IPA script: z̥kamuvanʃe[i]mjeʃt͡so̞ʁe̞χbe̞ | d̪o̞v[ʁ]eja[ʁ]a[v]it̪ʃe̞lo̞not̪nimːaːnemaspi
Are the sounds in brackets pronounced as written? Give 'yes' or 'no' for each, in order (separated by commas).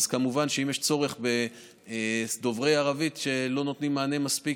yes, yes, yes, yes